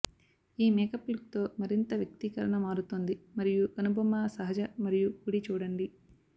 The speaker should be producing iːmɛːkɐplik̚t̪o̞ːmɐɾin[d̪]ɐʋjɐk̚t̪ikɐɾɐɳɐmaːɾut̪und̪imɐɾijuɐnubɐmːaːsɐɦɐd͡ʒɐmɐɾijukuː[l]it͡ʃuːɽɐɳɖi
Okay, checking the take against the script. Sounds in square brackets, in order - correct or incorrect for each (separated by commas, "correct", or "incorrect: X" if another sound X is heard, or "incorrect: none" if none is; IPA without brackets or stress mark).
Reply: incorrect: t̪, incorrect: ɽ